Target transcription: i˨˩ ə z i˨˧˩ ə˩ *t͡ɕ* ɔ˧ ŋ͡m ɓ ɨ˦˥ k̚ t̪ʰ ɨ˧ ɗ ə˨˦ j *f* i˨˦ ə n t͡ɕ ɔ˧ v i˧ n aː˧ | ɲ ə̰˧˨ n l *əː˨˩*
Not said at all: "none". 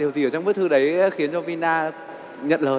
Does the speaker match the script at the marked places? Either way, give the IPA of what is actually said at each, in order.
t͡ɕ, x, əː˨˩

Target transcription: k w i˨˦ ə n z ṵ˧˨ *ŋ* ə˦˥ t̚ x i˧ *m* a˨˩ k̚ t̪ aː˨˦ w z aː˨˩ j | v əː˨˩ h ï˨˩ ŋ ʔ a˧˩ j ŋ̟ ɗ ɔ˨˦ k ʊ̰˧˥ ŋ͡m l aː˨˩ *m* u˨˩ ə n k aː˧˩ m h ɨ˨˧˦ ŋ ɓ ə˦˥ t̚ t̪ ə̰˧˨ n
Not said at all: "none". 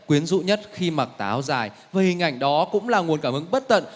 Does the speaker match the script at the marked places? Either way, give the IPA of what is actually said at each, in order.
ɲ, m, ŋ

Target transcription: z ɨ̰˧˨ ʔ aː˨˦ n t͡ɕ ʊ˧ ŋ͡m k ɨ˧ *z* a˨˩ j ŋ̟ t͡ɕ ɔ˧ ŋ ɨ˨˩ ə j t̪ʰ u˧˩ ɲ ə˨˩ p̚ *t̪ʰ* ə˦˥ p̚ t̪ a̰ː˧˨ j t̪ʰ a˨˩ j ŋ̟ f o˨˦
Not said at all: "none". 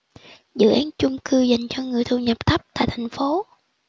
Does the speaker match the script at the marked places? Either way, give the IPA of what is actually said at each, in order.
z, t̪ʰ

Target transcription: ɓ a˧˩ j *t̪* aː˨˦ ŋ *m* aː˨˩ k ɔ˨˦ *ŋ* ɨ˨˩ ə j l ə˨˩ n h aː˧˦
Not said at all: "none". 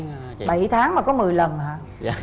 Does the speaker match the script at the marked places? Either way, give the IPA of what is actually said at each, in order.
t̪ʰ, m, m

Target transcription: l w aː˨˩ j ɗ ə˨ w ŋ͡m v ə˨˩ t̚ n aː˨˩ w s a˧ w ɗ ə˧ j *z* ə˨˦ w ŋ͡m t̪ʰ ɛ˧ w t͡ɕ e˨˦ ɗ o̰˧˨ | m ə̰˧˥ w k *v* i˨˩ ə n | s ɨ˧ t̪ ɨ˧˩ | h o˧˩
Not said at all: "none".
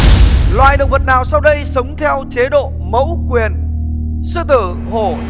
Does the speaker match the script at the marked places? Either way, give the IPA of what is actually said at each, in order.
s, w

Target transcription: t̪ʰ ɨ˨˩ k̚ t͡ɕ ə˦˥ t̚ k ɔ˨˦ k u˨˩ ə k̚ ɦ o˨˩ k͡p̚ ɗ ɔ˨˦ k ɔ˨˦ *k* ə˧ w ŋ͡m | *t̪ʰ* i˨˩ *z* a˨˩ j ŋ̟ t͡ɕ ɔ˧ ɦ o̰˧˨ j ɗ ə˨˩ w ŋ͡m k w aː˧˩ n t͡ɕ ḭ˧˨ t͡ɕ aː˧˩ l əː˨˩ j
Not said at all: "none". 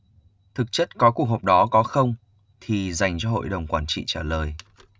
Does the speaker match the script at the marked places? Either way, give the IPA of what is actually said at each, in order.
x, t̪ʰ, z

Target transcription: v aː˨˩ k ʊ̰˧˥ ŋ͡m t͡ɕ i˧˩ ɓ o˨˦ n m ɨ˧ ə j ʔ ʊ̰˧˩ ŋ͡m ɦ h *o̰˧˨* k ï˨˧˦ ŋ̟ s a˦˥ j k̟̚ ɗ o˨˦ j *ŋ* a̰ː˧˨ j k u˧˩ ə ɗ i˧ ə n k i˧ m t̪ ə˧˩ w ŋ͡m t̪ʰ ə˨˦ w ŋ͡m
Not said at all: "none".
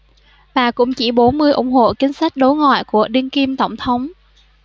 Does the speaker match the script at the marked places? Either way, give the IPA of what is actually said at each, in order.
o̰˧˨, ŋ

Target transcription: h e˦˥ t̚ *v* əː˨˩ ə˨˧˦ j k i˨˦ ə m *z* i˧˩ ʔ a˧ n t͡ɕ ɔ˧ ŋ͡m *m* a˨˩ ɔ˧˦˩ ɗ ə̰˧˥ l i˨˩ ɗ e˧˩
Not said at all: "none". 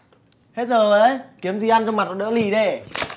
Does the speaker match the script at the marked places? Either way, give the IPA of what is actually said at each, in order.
z, z, m

